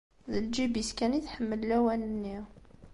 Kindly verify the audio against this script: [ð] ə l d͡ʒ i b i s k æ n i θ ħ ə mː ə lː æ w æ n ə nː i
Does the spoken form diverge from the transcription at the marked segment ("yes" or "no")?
no